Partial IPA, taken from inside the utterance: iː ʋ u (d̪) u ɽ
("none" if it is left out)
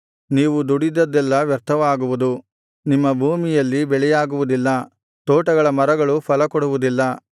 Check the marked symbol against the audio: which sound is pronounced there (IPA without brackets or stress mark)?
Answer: d̪